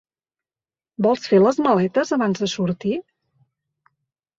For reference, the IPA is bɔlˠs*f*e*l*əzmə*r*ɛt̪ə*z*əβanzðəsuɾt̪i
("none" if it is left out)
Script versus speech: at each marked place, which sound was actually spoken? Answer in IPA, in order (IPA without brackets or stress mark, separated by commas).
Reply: f, l, l, z